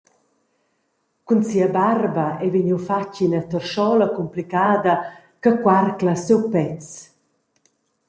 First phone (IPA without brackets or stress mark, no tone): k